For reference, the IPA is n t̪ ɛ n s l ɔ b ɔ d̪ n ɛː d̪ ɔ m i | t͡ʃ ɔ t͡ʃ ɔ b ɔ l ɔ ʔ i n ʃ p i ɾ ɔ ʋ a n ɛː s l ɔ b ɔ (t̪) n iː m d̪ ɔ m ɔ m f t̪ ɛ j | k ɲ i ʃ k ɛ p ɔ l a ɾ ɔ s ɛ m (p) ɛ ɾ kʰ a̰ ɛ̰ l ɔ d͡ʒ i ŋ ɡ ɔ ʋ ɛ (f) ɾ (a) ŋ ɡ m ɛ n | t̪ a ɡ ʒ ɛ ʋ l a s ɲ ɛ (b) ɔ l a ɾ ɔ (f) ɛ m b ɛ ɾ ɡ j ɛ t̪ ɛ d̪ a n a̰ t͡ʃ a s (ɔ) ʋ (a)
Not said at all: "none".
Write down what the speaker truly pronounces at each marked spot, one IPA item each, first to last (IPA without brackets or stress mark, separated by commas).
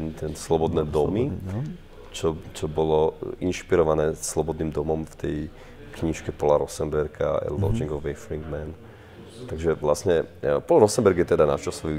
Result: d̪, b, f, i, p, s, ɔ, i